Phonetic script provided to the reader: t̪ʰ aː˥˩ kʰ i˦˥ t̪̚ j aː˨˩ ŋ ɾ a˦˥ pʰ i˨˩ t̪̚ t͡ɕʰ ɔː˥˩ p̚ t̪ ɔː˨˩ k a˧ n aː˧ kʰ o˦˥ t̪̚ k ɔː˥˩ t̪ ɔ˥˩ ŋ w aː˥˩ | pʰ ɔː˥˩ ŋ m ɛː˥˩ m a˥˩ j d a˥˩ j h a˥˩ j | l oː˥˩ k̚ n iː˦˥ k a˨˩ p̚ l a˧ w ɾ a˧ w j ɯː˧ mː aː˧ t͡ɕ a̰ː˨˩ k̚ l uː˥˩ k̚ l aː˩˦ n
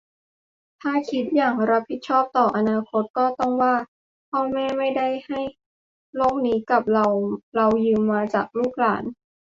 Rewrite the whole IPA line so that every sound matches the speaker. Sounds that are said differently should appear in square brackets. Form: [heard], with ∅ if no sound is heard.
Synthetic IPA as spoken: t̪ʰ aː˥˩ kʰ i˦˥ t̪̚ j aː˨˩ ŋ ɾ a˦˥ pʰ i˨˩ t̪̚ t͡ɕʰ ɔː˥˩ p̚ t̪ ɔː˨˩ [ʔ] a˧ n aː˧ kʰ o˦˥ t̪̚ k ɔː˥˩ t̪ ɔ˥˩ ŋ w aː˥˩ | pʰ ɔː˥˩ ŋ m ɛː˥˩ m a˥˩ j d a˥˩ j h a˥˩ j | l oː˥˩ k̚ n iː˦˥ k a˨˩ p̚ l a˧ w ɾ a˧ w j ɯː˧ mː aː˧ t͡ɕ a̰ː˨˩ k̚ l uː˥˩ k̚ l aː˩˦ n